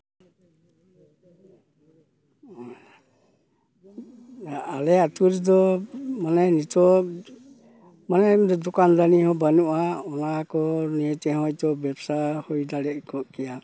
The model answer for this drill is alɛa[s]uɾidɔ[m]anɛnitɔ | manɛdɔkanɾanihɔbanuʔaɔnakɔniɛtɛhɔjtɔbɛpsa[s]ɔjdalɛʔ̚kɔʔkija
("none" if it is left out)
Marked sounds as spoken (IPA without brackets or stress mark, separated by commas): t, m, h